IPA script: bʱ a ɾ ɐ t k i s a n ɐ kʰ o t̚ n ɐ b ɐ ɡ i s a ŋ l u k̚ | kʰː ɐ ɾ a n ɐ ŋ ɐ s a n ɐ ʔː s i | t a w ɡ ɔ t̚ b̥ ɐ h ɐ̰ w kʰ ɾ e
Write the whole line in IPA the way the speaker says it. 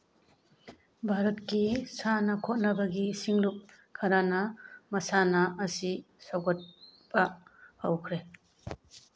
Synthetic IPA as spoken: bʱ a ɾ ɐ t k i s a n ɐ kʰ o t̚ n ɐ b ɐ ɡ i s i ŋ l u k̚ | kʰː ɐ ɾ a n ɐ m ɐ s a n ɐ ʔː s i | s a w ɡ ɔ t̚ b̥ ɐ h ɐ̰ w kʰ ɾ e